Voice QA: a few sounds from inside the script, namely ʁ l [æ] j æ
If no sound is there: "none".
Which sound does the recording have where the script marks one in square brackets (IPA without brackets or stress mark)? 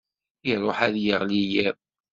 i